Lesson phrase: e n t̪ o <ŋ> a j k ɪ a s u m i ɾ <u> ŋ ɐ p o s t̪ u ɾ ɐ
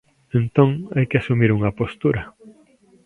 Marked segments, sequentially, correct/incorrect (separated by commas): correct, correct